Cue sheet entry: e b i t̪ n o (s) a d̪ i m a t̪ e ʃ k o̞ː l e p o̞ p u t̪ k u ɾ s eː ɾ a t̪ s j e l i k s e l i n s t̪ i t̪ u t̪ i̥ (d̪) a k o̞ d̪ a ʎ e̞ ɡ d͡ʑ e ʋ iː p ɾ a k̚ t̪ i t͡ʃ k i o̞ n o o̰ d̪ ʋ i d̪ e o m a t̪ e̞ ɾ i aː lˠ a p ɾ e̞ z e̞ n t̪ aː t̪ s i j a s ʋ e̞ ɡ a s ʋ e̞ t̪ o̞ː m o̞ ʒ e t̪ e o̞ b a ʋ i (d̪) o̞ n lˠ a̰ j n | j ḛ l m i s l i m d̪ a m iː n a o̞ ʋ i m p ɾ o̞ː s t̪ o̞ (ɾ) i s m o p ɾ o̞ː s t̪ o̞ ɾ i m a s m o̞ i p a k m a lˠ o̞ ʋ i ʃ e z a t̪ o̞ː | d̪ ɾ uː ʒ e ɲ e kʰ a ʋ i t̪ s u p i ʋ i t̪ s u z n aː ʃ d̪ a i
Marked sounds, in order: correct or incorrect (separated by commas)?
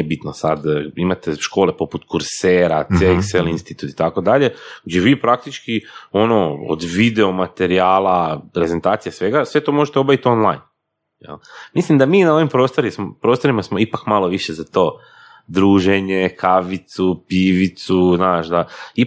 correct, incorrect, incorrect, correct